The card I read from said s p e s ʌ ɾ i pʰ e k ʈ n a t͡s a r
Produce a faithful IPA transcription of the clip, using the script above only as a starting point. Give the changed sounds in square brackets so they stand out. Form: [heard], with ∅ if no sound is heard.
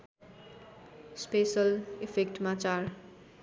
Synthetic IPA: s p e s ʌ [l] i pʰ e k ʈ [m] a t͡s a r